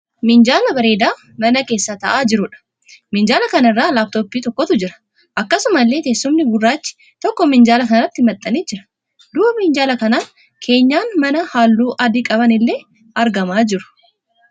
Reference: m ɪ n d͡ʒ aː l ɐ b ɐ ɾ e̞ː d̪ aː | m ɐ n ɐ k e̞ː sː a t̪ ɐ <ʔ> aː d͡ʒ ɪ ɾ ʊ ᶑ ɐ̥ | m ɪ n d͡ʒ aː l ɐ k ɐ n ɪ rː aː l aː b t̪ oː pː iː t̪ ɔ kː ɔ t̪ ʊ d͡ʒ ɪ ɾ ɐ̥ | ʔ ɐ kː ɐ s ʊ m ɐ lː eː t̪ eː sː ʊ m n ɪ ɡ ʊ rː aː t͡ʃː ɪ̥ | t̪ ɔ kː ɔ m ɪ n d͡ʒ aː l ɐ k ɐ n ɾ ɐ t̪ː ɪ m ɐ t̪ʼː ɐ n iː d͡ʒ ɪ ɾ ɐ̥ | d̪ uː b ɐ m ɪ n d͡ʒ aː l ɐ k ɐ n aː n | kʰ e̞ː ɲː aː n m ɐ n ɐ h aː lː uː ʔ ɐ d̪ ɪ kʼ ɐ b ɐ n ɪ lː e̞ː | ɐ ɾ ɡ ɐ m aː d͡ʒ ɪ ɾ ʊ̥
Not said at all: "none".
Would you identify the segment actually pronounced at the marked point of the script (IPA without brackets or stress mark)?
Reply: ʔ